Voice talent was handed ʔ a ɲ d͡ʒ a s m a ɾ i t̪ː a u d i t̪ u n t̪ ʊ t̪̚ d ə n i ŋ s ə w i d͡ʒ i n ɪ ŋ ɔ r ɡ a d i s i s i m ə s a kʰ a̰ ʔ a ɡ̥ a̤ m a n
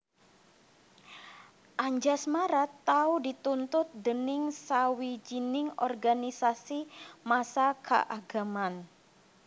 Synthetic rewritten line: ʔ a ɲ d͡ʒ a s m a ɾ a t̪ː a u d i t̪ u n t̪ ʊ t̪̚ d ə n ɪ ŋ s a w i d͡ʒ i n ɪ ŋ ɔ r ɡ a n i s a s i m a s a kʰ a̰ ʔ a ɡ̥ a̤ m a n